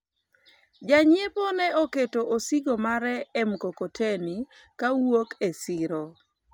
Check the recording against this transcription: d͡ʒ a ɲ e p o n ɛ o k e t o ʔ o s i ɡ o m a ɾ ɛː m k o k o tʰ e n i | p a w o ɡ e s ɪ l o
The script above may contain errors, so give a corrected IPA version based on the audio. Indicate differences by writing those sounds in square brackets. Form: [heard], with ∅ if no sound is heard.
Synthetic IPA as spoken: d͡ʒ a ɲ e p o n ɛ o k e t o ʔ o s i ɡ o m a ɾ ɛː m k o k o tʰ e n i | [k] a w o [k] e s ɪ [ɾ] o